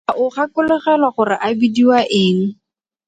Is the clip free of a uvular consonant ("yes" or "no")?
no